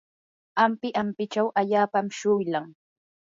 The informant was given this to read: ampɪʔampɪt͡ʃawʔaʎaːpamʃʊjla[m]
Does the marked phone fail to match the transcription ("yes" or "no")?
yes